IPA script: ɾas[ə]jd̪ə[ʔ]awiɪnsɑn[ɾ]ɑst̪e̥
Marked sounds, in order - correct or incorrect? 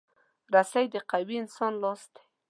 incorrect: a, incorrect: q, incorrect: l

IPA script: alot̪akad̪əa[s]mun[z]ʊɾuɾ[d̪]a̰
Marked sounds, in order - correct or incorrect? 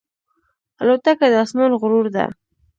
correct, incorrect: ɣ, correct

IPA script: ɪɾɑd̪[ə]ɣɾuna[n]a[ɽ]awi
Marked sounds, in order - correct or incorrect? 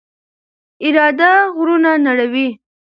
incorrect: a, correct, correct

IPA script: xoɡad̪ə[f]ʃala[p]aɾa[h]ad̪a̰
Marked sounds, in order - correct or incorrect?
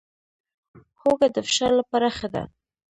correct, correct, incorrect: x

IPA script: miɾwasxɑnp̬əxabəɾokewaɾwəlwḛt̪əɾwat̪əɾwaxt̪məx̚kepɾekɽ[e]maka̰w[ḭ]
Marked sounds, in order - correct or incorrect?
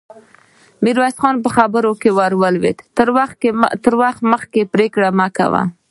incorrect: a, incorrect: a̰

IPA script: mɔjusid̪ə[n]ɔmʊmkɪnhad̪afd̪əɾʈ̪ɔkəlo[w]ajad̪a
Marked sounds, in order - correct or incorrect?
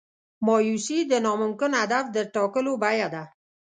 correct, incorrect: b

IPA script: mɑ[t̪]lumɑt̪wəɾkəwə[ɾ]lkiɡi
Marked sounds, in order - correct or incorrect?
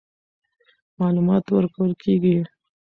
incorrect: none, incorrect: none

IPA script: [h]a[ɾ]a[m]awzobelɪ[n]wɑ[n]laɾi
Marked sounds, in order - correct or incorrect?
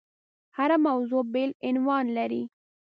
correct, correct, correct, correct, correct

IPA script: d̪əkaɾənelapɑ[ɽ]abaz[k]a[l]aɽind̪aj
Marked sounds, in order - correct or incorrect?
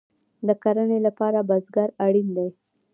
incorrect: ɾ, incorrect: ɡ, incorrect: ɾ

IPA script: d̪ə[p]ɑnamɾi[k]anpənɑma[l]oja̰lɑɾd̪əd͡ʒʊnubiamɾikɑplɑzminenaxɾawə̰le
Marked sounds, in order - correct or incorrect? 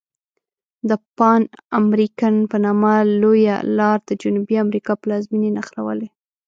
correct, correct, correct

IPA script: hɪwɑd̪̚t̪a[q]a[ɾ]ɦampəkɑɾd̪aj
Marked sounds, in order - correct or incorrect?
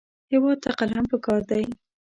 correct, incorrect: l

